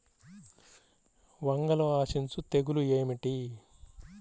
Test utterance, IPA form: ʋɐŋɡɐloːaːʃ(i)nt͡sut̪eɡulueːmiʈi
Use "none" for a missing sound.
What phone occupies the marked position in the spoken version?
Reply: i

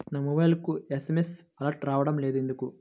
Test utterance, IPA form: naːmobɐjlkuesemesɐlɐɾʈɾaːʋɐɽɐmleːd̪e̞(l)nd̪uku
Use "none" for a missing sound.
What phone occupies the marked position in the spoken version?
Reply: none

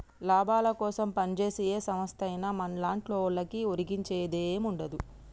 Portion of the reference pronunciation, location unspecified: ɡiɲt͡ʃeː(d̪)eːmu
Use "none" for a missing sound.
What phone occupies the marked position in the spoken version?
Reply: d̪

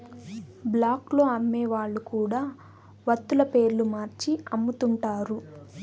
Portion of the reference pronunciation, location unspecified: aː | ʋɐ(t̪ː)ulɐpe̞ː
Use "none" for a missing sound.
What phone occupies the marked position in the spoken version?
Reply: t̪ː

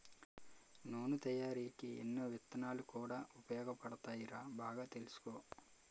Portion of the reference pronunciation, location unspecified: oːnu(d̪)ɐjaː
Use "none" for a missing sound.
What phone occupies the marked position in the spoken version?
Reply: t̪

